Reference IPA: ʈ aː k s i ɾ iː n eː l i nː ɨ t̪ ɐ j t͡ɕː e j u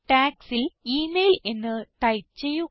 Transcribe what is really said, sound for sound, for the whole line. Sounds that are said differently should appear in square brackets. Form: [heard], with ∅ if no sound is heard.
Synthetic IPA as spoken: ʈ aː k s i [l] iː [m] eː l [e] nː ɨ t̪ ɐ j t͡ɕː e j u